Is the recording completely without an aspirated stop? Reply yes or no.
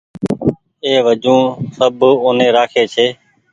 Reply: no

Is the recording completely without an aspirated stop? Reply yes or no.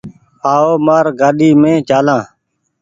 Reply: yes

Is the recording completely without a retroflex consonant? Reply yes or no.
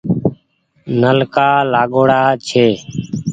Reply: no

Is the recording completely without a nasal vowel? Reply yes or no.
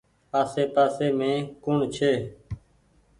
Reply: no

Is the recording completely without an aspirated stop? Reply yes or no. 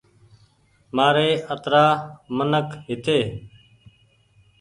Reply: yes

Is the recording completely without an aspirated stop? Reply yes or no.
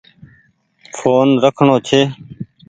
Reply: no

